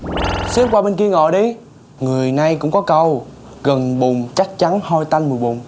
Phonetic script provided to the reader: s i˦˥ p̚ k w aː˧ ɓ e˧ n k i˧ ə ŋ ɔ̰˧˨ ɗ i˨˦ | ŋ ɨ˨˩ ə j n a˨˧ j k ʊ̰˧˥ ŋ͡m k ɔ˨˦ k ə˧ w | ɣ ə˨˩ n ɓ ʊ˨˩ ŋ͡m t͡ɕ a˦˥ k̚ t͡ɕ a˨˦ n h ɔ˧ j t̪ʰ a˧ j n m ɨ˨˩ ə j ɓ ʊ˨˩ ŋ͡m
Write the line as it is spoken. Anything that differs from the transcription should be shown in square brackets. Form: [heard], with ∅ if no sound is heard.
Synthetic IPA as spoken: s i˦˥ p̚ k w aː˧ ɓ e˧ n k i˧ ə ŋ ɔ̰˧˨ ɗ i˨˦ | ŋ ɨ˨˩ ə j n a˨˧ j k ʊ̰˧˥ ŋ͡m k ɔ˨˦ k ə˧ w | ɣ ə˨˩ n ɓ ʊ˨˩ ŋ͡m t͡ɕ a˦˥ k̚ t͡ɕ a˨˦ n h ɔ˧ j [t̪] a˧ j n m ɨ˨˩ ə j ɓ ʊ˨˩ ŋ͡m